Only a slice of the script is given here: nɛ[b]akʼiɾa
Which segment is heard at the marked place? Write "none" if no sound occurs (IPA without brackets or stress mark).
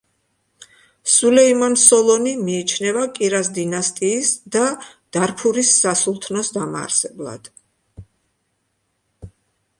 v